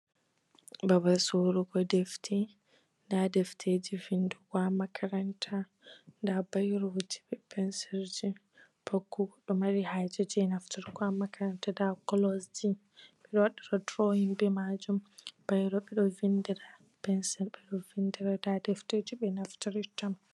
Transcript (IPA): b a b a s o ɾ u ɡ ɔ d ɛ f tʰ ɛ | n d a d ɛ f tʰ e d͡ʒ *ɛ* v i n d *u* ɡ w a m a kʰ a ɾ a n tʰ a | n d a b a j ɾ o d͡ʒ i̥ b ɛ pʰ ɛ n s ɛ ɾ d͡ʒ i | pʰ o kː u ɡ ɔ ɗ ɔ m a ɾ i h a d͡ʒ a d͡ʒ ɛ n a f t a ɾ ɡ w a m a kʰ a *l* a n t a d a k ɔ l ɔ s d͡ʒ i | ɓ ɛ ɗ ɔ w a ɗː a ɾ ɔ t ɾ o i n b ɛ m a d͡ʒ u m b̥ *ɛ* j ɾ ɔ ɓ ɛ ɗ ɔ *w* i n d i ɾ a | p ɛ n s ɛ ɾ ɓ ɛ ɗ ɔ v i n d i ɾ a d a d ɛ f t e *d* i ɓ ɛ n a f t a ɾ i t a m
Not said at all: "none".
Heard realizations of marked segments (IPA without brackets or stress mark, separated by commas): i, u, ɾ, a, v, d͡ʒ